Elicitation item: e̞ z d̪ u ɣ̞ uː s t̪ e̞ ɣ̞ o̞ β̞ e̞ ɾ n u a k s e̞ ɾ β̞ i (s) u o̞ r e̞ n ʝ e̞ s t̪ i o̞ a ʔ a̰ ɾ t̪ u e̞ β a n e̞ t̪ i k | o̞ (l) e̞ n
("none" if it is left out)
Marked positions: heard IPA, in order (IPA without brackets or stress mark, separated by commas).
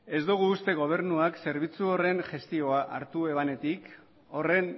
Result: t͡s, r